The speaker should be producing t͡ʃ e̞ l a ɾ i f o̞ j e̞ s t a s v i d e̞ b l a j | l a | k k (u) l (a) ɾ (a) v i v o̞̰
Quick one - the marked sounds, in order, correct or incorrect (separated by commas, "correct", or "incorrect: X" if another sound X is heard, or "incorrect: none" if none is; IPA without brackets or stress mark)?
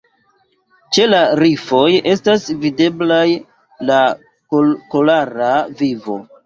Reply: incorrect: o, correct, correct